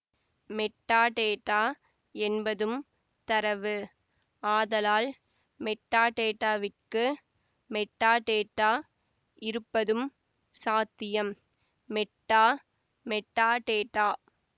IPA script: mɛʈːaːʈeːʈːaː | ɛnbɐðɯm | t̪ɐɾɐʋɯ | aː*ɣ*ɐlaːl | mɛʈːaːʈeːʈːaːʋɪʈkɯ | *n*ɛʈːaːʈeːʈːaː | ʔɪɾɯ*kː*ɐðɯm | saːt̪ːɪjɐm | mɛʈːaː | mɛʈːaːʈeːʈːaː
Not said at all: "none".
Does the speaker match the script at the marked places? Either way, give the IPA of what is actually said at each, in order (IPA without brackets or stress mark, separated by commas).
ð, m, pː